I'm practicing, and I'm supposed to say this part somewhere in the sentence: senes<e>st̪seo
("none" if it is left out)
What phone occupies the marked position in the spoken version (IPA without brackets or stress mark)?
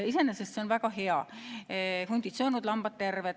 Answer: e